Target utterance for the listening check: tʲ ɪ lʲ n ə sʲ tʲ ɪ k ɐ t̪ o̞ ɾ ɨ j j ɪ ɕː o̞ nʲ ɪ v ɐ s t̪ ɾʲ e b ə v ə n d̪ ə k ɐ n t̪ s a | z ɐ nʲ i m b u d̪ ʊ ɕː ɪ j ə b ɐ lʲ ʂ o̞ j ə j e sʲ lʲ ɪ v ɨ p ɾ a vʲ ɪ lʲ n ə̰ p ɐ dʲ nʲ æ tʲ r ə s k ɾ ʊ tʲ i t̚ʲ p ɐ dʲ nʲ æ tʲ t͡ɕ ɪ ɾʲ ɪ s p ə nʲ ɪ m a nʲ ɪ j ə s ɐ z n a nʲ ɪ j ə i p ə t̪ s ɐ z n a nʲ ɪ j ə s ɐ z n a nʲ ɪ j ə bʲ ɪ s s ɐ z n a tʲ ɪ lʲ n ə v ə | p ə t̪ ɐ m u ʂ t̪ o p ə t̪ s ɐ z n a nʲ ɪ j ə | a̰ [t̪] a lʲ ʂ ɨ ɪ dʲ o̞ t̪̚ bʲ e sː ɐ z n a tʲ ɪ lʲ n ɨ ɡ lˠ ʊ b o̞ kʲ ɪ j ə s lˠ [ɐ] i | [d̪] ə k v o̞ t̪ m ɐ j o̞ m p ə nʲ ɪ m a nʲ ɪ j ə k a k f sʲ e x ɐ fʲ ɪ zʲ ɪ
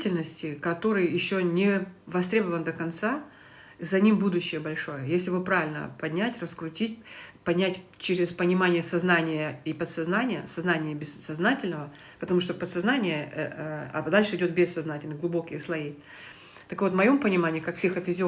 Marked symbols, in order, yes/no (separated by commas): no, yes, no